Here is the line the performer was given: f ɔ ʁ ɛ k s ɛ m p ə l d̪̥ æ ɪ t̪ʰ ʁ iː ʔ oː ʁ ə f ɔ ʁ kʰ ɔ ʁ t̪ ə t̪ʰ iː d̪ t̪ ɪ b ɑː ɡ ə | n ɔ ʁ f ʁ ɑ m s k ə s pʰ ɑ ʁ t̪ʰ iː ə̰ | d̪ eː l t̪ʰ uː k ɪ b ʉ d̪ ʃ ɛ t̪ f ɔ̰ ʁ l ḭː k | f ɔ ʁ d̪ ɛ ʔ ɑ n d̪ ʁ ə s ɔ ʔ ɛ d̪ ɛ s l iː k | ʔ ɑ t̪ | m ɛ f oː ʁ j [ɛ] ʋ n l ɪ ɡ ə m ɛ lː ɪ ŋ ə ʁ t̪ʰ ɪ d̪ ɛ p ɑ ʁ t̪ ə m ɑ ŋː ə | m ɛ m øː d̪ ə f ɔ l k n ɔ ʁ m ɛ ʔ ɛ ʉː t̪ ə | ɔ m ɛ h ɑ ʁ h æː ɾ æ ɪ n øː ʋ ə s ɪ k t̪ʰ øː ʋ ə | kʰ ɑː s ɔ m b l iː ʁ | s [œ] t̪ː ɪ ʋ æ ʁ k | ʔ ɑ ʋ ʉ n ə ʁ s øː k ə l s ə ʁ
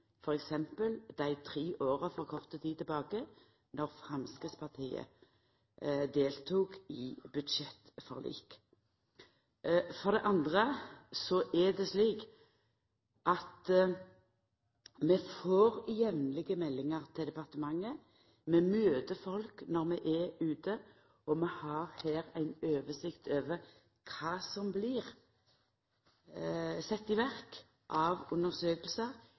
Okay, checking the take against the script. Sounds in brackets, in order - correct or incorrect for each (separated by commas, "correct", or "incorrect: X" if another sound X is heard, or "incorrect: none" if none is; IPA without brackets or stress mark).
correct, incorrect: ɛ